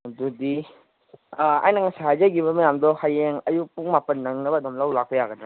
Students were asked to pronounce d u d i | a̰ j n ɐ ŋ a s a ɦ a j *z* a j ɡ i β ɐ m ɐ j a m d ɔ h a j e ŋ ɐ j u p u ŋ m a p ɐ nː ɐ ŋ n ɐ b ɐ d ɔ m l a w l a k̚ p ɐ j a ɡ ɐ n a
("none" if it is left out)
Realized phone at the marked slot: z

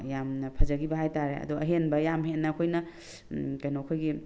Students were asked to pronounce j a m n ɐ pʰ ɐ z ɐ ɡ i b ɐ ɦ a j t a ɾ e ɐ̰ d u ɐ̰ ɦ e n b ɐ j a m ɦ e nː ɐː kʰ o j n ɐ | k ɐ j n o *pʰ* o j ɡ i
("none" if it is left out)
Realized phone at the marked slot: kʰ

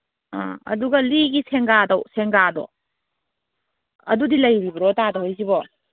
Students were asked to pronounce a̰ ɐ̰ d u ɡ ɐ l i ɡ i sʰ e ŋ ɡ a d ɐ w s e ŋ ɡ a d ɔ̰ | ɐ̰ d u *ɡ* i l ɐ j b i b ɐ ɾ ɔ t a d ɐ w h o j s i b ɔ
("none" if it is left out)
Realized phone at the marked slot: d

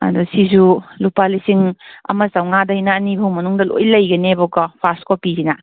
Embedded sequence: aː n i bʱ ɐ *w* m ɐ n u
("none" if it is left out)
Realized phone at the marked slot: w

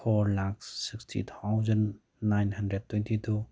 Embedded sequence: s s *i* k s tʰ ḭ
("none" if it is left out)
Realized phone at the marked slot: i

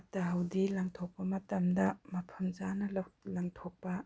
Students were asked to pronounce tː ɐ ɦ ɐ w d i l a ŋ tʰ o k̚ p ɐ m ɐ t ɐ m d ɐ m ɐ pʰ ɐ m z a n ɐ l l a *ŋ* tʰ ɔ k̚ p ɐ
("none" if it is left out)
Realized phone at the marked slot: ŋ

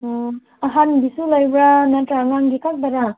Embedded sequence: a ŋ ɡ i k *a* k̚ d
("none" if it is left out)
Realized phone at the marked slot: a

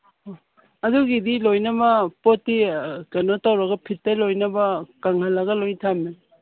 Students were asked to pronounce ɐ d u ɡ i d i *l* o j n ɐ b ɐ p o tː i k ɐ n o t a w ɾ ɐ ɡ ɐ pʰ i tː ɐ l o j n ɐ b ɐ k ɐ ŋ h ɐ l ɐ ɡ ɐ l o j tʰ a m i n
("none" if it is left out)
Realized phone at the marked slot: l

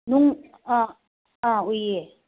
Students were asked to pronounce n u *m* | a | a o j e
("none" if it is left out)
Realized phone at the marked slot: ŋ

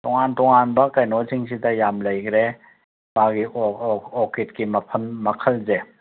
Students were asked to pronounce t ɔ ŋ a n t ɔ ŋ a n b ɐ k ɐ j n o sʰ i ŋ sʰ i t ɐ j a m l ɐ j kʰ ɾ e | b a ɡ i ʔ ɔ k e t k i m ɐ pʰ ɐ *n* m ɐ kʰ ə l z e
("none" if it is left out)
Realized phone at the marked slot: n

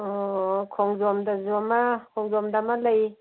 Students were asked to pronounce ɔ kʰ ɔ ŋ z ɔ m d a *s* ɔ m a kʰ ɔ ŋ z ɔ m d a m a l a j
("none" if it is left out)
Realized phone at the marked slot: z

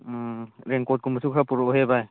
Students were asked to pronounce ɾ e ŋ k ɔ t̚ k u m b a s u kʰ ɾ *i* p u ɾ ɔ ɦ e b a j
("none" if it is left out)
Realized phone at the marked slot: a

